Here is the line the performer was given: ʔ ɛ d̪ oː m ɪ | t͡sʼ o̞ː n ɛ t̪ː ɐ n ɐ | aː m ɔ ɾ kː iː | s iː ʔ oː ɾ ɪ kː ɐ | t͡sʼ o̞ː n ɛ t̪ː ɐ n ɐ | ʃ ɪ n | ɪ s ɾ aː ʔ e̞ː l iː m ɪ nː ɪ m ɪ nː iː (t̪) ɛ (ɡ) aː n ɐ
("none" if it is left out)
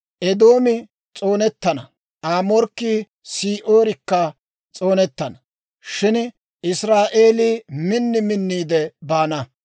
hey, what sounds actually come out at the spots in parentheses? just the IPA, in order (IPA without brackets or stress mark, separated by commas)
d̪, b